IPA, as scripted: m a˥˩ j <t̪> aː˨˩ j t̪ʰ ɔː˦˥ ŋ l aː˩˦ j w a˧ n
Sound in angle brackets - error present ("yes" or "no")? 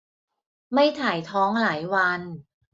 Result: yes